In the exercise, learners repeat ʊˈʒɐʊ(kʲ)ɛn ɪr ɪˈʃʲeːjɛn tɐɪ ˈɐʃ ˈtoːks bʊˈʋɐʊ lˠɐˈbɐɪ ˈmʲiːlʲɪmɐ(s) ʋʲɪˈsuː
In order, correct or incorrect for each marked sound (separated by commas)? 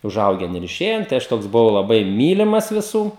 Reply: incorrect, correct